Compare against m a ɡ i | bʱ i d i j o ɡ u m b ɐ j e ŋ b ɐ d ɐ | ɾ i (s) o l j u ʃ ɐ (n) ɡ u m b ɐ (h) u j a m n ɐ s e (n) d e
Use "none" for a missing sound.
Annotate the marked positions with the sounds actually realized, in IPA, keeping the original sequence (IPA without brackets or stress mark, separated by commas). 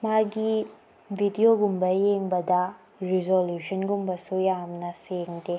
z, n, s, ŋ